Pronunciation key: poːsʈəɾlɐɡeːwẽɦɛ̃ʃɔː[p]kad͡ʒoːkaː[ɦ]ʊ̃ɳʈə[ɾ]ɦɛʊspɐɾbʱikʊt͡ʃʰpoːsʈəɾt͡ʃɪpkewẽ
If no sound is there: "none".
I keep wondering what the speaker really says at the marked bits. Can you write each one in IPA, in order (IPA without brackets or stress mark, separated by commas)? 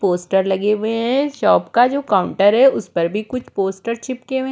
p, none, ɾ